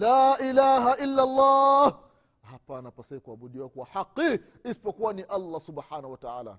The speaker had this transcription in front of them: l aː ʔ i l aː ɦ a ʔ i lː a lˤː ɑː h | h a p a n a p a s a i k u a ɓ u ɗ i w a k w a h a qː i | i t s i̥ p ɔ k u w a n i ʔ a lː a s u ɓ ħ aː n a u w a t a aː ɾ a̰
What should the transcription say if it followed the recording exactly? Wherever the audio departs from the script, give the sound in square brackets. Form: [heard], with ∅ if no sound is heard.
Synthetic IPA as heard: l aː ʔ i l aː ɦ a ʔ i lː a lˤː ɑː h | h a p a n a p a s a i k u a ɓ u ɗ i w a k w a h a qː i | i [∅] s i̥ p ɔ k u w a n i ʔ a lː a s u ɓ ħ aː n a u w a t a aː [l] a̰